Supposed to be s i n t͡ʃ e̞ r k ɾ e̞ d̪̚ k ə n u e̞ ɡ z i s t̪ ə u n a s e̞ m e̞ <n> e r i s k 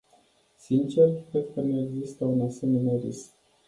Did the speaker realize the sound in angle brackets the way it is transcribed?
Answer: yes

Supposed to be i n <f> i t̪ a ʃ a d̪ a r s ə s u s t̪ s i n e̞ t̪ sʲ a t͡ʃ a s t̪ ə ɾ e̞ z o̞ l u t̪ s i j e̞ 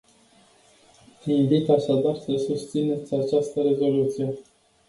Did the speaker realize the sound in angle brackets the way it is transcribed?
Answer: no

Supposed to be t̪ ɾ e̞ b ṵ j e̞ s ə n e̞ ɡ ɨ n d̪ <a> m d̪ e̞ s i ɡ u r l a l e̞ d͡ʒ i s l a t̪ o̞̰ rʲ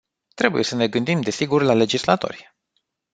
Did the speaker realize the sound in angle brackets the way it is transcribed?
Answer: no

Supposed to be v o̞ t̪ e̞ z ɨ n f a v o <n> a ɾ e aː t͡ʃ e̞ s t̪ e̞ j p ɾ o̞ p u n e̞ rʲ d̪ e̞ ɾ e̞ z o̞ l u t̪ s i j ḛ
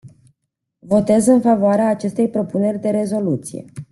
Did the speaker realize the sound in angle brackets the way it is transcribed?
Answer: no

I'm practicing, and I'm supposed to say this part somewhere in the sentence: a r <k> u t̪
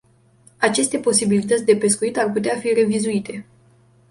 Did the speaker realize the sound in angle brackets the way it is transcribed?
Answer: no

